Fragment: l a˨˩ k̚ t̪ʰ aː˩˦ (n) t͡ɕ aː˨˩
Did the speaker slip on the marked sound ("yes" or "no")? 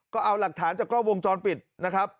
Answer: no